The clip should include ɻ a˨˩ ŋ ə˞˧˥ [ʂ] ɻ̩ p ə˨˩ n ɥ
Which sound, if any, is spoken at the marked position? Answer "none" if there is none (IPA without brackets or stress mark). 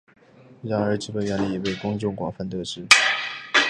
ʈ͡ʂ